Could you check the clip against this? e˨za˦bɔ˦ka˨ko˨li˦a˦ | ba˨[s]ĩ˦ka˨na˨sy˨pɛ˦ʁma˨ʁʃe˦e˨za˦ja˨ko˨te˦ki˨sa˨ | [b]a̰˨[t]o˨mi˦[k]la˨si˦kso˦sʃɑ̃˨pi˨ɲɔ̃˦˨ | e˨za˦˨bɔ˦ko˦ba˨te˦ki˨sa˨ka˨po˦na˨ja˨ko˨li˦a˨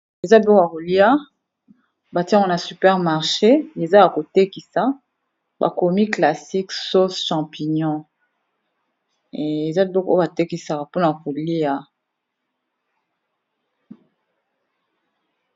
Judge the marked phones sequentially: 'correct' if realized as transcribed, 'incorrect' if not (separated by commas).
incorrect, correct, incorrect, correct